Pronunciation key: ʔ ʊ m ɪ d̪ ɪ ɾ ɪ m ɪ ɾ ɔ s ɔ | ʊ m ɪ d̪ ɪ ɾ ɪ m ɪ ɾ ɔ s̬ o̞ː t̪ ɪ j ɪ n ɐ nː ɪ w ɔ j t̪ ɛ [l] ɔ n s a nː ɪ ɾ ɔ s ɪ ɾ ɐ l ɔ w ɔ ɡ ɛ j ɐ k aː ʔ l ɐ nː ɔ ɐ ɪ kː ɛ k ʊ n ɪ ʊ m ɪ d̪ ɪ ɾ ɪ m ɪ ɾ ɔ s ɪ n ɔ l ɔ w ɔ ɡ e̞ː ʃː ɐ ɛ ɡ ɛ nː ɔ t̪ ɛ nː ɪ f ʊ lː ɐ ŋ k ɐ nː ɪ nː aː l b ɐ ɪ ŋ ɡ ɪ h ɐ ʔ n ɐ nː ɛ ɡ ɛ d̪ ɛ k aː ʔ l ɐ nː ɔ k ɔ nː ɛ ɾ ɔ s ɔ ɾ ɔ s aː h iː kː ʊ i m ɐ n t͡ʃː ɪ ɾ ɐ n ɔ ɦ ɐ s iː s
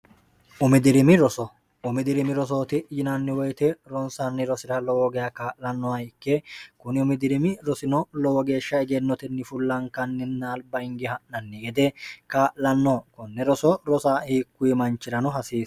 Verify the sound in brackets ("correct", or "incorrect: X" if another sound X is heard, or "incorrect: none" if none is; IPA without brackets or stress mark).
incorrect: ɾ